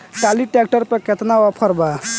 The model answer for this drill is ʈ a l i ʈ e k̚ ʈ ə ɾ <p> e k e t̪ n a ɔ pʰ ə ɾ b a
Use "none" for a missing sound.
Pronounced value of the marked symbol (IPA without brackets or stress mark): p